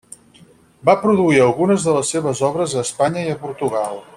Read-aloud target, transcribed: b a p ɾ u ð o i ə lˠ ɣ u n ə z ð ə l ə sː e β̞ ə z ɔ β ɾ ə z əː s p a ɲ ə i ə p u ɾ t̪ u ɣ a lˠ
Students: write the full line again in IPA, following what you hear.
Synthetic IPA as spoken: b a p ɾ u ð u i ə lˠ ɣ u n ə z ð ə l ə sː e β̞ ə z ɔ β ɾ ə z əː s p a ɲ ə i ə p u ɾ t̪ u ɣ a lˠ